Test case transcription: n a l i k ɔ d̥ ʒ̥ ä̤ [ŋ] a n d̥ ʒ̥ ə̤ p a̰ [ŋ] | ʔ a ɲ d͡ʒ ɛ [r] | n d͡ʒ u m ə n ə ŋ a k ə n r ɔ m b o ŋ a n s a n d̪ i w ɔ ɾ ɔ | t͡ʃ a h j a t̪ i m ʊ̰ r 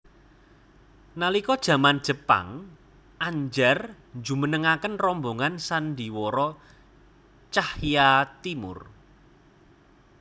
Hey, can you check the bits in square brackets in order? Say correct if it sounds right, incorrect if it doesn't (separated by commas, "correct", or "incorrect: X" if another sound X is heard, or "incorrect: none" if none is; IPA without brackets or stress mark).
incorrect: m, correct, correct